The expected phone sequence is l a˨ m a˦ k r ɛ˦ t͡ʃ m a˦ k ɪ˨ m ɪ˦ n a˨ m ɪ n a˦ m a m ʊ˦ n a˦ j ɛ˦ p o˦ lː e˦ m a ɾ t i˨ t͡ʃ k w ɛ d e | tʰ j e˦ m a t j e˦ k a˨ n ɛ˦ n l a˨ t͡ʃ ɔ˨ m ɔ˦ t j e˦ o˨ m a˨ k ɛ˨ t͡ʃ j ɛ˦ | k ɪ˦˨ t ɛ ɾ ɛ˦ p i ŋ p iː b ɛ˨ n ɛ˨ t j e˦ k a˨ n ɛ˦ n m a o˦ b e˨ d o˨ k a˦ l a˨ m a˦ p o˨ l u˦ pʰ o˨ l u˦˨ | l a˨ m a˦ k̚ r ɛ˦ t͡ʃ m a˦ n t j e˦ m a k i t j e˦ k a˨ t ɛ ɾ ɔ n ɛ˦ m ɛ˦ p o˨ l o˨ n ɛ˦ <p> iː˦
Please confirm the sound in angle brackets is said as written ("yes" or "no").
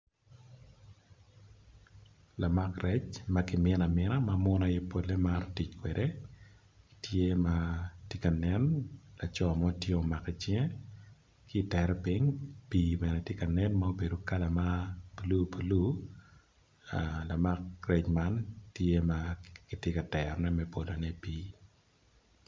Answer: yes